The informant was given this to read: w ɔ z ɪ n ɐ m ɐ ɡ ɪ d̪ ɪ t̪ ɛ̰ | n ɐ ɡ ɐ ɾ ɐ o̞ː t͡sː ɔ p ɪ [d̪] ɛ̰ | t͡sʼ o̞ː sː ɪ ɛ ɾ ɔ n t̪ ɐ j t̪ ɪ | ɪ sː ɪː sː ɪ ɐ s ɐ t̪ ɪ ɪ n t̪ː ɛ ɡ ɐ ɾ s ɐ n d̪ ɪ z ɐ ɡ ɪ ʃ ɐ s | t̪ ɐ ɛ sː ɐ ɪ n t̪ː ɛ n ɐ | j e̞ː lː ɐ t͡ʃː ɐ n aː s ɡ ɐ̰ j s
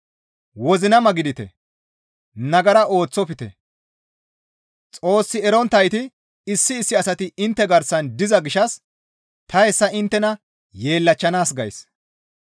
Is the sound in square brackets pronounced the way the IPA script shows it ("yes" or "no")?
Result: no